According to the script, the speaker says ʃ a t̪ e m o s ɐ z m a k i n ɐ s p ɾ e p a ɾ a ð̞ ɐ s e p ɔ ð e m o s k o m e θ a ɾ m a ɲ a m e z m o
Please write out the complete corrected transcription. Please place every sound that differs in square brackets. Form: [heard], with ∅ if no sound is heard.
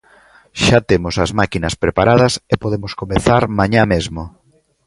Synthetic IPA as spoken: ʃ a t̪ e m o s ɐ z m a k i n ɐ s p ɾ e p a ɾ a ð̞ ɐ s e p [o] ð e m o s k o m e θ a ɾ m a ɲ a m e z m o